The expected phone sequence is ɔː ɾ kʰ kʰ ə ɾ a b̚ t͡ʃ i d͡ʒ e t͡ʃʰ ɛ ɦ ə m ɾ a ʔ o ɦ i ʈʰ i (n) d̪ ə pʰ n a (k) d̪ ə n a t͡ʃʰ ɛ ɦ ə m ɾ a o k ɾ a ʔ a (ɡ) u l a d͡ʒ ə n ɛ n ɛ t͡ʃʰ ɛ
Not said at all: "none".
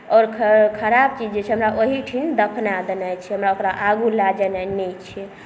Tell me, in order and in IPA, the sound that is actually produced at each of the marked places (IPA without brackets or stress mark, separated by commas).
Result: n, none, ɡ